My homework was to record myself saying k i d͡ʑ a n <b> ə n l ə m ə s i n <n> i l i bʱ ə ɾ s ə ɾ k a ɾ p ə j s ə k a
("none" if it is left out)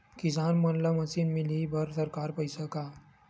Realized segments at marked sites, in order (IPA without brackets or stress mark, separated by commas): m, m